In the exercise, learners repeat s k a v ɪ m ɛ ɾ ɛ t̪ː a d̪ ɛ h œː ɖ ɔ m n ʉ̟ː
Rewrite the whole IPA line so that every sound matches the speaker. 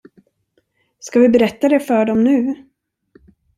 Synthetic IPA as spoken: s k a v ɪ b ɛ ɾ ɛ t̪ː a d̪ ɛ f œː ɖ ɔ m n ʉ̟ː